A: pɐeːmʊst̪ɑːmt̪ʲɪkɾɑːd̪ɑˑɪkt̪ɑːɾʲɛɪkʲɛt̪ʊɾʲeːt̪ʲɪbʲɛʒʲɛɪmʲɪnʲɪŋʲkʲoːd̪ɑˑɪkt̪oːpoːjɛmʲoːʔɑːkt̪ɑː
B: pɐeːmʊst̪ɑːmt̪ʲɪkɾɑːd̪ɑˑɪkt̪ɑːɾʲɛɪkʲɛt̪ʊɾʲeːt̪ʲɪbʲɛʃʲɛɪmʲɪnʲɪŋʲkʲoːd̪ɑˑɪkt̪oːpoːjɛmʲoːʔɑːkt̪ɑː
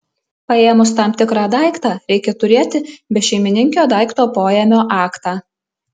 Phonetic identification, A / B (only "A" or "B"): B